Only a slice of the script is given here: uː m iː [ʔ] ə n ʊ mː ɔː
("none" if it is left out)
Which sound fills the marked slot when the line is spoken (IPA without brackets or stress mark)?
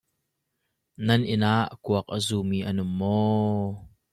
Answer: ʔ